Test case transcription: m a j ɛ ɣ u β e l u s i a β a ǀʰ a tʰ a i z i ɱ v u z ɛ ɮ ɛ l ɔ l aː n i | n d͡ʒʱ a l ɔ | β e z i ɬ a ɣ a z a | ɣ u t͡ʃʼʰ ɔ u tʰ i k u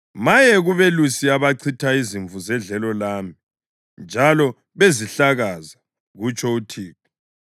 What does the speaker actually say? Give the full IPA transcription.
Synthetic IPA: m a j ɛ ɣ u β e l u s i a β a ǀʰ i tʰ a i z i ɱ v u z ɛ ɮ ɛ l ɔ l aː m i | n d͡ʒʱ a l ɔ | β e z i ɬ a ɣ a z a | ɣ u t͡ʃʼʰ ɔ u tʰ iː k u